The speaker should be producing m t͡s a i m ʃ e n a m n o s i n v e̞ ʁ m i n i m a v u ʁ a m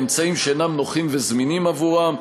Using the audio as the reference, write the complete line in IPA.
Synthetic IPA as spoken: m t͡s a i m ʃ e n a m n o χ i m v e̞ z m i n i m a v u ʁ a m